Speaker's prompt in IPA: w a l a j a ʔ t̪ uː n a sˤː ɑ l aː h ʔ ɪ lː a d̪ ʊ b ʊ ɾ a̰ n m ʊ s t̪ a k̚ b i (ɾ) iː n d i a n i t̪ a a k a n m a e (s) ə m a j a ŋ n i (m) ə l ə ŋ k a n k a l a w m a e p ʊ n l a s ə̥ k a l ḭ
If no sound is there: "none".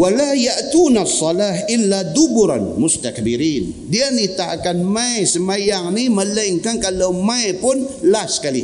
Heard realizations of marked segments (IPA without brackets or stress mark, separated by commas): ɾ, s, m